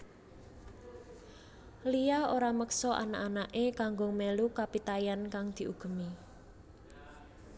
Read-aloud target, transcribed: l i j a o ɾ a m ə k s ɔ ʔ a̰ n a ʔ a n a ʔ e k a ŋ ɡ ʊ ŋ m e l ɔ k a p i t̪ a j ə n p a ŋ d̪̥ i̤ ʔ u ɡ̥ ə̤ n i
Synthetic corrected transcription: l i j a o ɾ a m ə k s ɔ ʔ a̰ n a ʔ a n a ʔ e k a ŋ ɡ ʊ ŋ m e l u k a p i t̪ a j a n k a ŋ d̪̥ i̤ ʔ u ɡ̥ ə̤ m i